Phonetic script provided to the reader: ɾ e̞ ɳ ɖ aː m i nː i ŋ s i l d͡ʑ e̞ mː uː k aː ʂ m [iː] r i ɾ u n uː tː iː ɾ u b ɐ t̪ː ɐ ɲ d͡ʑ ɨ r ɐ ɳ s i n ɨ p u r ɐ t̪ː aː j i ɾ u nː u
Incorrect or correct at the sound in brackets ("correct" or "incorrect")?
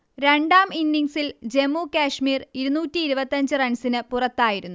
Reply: correct